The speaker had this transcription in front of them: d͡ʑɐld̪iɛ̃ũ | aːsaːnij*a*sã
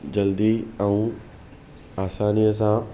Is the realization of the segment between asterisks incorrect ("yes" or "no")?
yes